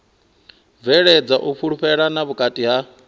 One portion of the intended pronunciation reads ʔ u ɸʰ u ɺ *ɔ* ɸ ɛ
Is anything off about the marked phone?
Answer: yes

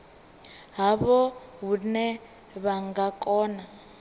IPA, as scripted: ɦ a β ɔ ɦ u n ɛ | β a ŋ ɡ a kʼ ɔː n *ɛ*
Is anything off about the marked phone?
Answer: yes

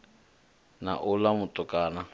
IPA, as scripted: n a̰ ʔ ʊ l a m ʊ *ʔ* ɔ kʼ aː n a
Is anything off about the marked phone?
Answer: yes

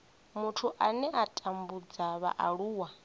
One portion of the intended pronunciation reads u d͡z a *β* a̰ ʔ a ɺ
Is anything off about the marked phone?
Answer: no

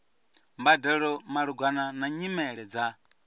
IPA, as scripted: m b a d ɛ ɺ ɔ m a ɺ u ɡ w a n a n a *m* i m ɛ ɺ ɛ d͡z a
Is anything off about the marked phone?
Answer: yes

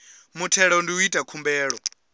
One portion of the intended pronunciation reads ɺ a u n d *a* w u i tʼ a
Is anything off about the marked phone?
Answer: yes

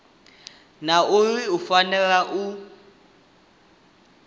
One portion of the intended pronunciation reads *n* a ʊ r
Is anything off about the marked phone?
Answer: no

